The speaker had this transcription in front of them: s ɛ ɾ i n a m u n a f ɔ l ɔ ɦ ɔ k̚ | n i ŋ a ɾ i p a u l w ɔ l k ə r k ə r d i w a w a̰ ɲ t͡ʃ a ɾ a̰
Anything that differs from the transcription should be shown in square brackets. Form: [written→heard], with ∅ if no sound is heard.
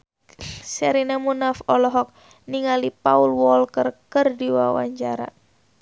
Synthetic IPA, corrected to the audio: s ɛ ɾ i n a m u n a f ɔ l ɔ ɦ ɔ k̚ | n i ŋ a [ɾ→l] i p a u l w ɔ l k ə r k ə r d i w a w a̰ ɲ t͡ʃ a ɾ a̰